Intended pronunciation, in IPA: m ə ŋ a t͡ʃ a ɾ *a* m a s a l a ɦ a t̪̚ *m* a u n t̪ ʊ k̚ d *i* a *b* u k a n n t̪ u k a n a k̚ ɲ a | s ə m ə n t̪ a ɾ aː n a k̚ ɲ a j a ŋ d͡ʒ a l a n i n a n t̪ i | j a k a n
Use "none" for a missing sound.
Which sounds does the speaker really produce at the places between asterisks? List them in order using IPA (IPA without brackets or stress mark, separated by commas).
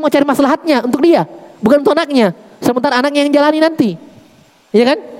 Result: i, ɲ, i, b